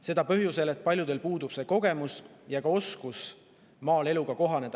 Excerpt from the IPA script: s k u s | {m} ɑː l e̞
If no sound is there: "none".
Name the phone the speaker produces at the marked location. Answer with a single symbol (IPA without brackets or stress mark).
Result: m